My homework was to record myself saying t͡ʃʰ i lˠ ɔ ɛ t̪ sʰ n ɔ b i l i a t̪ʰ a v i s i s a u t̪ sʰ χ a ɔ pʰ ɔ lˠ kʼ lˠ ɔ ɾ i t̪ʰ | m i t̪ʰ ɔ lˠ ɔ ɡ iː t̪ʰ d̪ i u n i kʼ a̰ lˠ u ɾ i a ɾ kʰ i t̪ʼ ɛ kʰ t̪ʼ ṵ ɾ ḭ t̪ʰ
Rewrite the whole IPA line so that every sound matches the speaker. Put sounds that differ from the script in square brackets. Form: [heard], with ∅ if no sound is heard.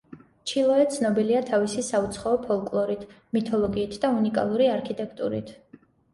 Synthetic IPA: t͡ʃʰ i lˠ ɔ ɛ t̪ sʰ n ɔ b i l i a t̪ʰ a v i s i s a u t̪ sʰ χ a ɔ pʰ ɔ lˠ kʼ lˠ ɔ ɾ i t̪ʰ | m i t̪ʰ ɔ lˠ ɔ ɡ iː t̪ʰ d̪ [a] u n i kʼ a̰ lˠ u ɾ i a ɾ kʰ i t̪ʼ ɛ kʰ t̪ʼ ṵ ɾ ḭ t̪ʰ